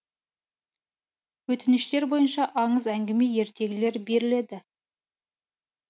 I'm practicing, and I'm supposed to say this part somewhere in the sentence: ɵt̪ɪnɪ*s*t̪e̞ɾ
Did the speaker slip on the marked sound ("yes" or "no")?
yes